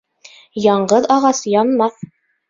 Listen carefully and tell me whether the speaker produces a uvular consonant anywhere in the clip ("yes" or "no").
yes